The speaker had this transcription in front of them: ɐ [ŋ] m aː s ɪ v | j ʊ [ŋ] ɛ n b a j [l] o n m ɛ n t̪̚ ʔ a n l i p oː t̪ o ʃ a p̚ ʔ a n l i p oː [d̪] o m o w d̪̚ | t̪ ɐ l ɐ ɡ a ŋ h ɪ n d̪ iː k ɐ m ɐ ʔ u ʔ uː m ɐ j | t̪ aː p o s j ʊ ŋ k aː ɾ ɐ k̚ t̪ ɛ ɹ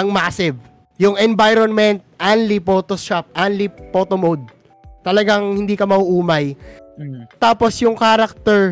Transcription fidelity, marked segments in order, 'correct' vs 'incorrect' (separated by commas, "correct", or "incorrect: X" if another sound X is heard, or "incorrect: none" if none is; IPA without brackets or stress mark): correct, correct, incorrect: ɾ, incorrect: t̪